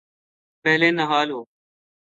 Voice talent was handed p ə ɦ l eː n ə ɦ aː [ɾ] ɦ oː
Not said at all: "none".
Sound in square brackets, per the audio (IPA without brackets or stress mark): l